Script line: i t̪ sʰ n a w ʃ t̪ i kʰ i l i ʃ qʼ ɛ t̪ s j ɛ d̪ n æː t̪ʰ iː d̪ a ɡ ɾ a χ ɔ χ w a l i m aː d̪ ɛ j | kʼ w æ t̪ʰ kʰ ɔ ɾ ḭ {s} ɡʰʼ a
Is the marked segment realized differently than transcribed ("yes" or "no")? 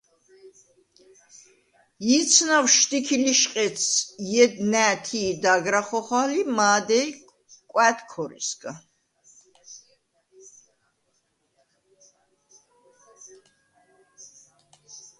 no